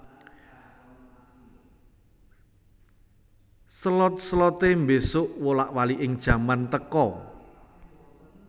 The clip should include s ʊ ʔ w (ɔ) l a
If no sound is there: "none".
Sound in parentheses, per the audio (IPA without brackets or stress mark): o